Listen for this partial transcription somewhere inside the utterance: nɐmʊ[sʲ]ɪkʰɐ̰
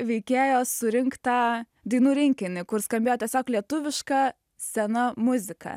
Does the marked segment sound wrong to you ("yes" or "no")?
yes